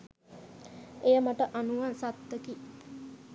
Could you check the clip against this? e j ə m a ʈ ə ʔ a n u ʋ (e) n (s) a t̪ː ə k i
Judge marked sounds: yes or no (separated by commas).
no, yes